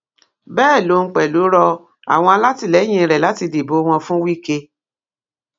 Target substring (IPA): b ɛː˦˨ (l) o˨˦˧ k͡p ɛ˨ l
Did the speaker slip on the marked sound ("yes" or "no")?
no